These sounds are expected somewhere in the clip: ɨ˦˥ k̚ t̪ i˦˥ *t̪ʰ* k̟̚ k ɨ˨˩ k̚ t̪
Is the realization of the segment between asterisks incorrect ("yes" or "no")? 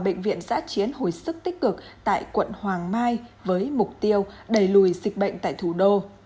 yes